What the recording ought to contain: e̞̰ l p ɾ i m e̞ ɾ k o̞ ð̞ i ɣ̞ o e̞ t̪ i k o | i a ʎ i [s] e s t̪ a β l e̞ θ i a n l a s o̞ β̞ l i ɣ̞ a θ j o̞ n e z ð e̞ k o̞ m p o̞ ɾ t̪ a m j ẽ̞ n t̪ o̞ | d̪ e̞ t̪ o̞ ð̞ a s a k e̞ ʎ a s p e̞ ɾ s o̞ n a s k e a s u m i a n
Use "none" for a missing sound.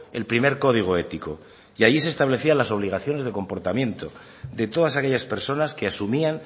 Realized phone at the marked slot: s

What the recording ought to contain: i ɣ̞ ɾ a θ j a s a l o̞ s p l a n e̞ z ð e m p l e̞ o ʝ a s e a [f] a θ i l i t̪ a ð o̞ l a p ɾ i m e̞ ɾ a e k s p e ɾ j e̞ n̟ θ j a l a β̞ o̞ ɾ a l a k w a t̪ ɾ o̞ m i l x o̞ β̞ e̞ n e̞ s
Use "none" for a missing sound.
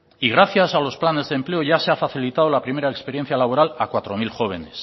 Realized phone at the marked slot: f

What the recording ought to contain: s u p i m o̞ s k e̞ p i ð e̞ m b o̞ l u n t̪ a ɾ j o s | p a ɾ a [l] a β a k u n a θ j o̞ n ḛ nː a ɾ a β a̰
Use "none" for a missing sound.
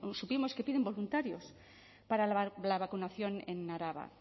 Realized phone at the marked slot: l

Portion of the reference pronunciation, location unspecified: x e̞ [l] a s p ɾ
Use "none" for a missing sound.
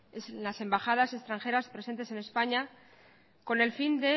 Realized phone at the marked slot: ɾ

